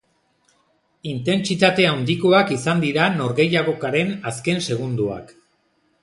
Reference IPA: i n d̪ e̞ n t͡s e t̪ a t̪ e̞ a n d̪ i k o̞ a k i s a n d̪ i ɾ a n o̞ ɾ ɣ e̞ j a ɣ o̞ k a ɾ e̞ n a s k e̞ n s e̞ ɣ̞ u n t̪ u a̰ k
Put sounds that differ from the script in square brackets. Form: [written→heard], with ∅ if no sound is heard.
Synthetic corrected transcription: i n [d̪→t̪] e̞ n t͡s [e→i] t̪ a t̪ e̞ a n d̪ i k o̞ a k i s a n d̪ i ɾ a n o̞ ɾ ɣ e̞ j a ɣ o̞ k a ɾ e̞ n a s k e̞ n s e̞ ɣ̞ u n [t̪→d̪] u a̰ k